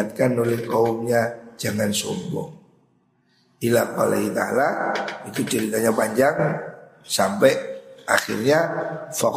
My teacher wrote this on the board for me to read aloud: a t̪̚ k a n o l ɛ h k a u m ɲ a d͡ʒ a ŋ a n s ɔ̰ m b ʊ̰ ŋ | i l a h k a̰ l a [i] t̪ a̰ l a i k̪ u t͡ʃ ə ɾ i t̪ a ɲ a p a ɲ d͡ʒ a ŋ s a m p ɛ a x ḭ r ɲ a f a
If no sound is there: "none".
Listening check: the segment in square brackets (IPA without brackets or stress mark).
i